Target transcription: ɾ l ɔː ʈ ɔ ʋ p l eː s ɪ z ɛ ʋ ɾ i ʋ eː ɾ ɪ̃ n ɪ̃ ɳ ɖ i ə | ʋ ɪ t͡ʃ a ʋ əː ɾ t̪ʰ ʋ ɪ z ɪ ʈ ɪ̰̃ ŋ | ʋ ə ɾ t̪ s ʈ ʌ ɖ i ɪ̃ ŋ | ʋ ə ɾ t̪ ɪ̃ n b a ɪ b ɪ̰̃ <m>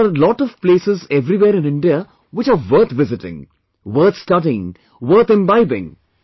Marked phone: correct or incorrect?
incorrect